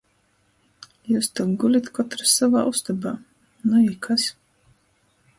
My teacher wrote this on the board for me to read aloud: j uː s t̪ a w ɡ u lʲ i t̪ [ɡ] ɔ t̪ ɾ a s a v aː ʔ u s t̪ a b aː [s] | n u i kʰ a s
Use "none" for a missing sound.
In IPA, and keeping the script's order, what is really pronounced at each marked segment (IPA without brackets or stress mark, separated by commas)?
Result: k, none